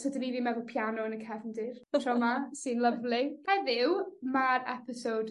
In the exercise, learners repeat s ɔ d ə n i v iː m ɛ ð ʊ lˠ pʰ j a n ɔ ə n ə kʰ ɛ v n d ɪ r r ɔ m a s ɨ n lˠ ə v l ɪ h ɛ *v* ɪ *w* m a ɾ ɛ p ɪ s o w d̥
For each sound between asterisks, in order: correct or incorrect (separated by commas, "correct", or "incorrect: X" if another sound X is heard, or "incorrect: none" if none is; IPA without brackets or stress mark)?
incorrect: ð, correct